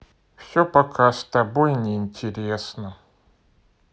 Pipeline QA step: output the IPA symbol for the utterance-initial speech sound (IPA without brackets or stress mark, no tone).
f